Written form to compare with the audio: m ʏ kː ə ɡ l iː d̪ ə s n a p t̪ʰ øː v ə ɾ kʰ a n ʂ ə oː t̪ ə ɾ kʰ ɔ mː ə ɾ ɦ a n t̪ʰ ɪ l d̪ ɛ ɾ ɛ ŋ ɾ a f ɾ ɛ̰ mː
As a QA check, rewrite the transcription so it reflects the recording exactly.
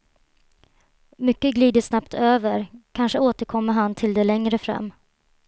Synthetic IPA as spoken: m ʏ kː ə ɡ l iː d̪ ə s n a p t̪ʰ øː v ə ɾ kʰ a n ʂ ə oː t̪ ə ɾ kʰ ɔ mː ə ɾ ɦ a n t̪ʰ ɪ l d̪ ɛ l ɛ ŋ ɾ ə f ɾ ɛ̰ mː

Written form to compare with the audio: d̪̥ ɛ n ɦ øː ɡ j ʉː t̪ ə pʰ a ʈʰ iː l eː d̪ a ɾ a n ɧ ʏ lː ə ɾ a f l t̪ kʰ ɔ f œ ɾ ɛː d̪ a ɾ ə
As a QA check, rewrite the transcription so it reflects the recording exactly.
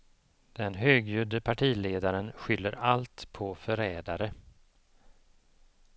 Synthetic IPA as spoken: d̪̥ ɛ n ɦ øː ɡ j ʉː d̪ ə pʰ a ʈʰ iː l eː d̪ a ɾ ə n ɧ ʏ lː ə ɾ a l t̪ pʰ ɔ f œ ɾ ɛː d̪ a ɾ ə

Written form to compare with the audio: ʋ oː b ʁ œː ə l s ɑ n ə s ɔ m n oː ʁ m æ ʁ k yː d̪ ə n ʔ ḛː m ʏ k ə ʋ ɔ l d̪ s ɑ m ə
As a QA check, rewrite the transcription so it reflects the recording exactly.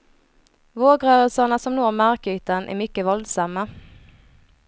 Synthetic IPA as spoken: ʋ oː ɡ ʁ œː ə l s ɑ n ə s ɔ m n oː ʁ m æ ʁ k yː t̪ ə n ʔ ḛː m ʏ k ə ʋ ɔ l d̪ s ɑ m ə

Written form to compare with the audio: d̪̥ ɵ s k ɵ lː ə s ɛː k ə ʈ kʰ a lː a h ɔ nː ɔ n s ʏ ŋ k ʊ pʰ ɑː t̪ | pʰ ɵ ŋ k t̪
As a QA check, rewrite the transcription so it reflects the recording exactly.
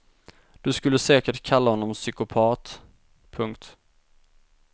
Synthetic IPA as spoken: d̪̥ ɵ s k ɵ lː ə s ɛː k ə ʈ kʰ a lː a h ɔ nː ɔ m s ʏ k ʊ pʰ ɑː t̪ | pʰ ɵ ŋ k t̪

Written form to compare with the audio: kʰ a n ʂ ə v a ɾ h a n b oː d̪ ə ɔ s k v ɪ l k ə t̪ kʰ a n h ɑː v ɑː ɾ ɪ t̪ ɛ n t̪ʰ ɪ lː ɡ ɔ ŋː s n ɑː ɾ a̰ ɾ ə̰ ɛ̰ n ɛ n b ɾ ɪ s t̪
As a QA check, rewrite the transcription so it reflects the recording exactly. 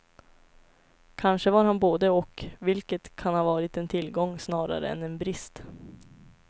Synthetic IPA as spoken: kʰ a n ʂ ə v a ɾ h a n b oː d̪ ə ɔ k v ɪ l k ə t̪ kʰ a n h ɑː v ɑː ɾ ɪ t̪ ɛ n t̪ʰ ɪ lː ɡ ɔ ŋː s n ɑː ɾ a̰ ɾ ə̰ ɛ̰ n ɛ n b ɾ ɪ s t̪

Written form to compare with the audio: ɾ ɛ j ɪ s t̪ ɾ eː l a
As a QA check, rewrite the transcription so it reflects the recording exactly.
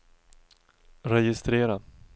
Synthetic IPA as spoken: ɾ ɛ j ɪ s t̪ ɾ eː ɾ a

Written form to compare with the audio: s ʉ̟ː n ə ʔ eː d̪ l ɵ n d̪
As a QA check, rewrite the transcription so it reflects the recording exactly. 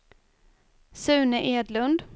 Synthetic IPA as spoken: s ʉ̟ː n ə ʔ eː d̪ l ɵ n d̪

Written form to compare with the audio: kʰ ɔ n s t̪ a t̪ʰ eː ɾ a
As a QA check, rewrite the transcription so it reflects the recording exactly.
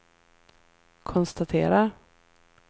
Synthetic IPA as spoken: kʰ ɔ n s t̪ a t̪ʰ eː ɾ a

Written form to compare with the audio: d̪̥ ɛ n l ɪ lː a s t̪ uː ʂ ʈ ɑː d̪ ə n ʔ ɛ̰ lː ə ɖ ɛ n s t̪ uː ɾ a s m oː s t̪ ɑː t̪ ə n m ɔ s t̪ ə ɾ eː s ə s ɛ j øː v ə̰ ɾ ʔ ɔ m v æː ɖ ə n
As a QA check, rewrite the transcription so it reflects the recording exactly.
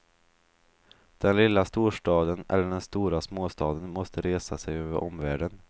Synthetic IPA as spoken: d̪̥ ɛ n l ɪ lː a s t̪ uː ʂ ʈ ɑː d̪ ə n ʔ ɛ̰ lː ə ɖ ɛ n s t̪ uː ɾ a s m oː s t̪ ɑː d̪ ə n m ɔ s t̪ ə ɾ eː s a s ɛ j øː v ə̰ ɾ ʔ ɔ m v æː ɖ ə n

